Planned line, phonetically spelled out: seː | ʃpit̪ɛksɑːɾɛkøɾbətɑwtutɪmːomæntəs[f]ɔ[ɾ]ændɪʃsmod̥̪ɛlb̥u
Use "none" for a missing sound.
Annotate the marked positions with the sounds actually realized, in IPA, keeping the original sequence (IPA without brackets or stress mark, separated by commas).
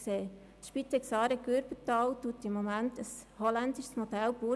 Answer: h, l